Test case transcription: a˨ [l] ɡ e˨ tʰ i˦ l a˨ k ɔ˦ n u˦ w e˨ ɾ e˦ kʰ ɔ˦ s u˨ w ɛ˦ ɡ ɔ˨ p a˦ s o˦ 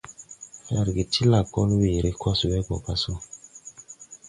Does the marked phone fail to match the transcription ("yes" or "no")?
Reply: yes